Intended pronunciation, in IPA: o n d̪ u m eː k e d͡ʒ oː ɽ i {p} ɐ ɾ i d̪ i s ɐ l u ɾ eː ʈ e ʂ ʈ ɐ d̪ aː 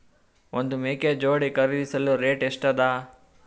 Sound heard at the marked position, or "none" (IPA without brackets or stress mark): k